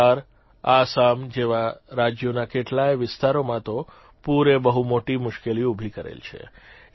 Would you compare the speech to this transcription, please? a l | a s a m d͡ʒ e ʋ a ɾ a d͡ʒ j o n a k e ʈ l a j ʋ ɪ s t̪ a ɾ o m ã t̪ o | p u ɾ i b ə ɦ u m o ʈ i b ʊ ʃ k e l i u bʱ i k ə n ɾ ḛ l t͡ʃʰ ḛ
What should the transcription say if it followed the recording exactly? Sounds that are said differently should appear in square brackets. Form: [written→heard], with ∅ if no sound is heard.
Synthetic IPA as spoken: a [l→ɾ] | a s a m d͡ʒ e ʋ a ɾ a d͡ʒ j o n a k e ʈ l a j ʋ ɪ s t̪ a ɾ o m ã t̪ o | p u ɾ [i→e] b ə ɦ u m o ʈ i [b→m] ʊ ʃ k e l i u bʱ i k ə [n→∅] ɾ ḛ l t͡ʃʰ ḛ